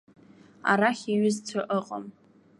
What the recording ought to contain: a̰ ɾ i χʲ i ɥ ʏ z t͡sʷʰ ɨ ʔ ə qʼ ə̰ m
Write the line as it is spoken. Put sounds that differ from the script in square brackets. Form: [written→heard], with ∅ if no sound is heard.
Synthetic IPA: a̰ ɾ [i→a] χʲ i ɥ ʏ z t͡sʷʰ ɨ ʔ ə qʼ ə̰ m

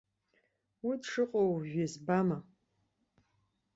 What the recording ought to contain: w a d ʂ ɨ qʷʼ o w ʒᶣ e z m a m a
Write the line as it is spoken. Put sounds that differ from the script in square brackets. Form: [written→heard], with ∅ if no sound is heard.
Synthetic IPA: w [a→i] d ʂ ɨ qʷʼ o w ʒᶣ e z [m→b] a m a

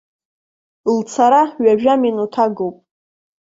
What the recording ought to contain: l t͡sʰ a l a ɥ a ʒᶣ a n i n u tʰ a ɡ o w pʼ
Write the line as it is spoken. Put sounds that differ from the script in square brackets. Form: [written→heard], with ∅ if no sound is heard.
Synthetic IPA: l t͡sʰ a [l→ɾ] a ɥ a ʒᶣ a [n→m] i n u tʰ a ɡ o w pʼ

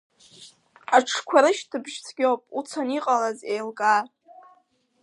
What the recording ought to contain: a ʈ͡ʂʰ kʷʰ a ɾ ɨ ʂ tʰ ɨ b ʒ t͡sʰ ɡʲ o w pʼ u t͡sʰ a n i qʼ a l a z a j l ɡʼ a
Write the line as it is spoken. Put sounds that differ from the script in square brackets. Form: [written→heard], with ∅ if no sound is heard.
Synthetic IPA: a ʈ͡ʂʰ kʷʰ a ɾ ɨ [ʂ→ʃ] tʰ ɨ b ʒ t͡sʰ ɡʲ o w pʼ u t͡sʰ a n i qʼ a l a z [a→e] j l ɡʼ a

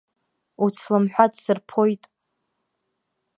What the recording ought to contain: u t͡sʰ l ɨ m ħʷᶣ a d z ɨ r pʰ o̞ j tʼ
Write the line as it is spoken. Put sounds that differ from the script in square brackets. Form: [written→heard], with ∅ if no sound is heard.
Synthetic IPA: u t͡sʰ l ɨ m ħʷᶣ a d [z→s] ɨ r pʰ o̞ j tʼ

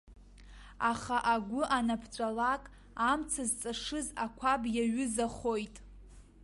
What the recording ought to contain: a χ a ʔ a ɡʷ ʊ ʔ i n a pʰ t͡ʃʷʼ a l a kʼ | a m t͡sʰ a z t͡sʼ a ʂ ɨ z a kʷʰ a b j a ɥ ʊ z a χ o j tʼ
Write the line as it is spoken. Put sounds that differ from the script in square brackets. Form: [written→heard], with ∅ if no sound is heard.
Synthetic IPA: a χ a ʔ a ɡʷ ʊ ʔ [i→a] n a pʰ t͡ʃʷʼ a l a kʼ | a m t͡sʰ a z t͡sʼ a ʂ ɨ z a kʷʰ a b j a ɥ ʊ z a χ o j tʼ

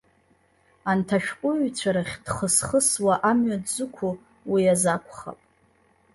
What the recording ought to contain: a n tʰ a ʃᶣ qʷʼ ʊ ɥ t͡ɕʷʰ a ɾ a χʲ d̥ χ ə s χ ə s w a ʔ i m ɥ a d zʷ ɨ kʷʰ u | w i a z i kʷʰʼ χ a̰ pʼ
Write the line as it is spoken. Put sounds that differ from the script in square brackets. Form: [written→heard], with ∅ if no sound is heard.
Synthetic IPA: a n tʰ a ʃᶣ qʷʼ ʊ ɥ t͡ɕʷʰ a ɾ a χʲ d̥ χ ə s χ ə s w a ʔ [i→a] m ɥ a d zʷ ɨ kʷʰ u | w i a z [i→a] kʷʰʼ χ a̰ pʼ

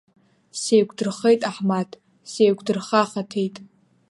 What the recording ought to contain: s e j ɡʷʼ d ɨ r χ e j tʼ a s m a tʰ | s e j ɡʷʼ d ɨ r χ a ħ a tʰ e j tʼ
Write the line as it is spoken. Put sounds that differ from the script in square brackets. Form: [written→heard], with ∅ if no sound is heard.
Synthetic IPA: s e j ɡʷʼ d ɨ r χ e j tʼ a [s→ħ] m a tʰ | s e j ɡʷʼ d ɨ r χ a [ħ→χ] a tʰ e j tʼ

